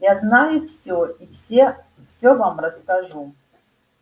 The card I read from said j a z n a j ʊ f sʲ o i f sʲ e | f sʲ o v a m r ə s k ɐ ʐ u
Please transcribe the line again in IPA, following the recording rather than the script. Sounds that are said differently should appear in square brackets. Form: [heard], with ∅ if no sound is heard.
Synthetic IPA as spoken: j a z n a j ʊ f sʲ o i f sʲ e | f sʲ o v a m r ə s k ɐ ʐ u